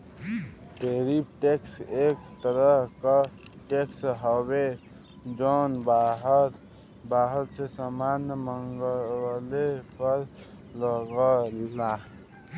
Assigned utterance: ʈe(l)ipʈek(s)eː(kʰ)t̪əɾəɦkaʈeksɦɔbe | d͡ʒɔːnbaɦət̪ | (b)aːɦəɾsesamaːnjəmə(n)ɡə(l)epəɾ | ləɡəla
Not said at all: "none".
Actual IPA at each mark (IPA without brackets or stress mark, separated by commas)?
ɾ, s, k, b, ŋ, l